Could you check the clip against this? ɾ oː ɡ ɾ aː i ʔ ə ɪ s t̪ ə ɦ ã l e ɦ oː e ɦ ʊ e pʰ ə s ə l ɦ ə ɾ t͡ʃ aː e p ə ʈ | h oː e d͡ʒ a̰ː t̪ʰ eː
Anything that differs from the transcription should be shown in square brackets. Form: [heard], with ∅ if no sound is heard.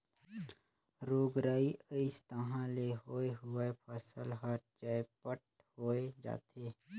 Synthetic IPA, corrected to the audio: ɾ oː ɡ ɾ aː i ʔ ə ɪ s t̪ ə ɦ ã l e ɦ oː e ɦ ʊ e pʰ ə s ə l ɦ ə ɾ t͡ʃ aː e p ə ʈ | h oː e d͡ʒ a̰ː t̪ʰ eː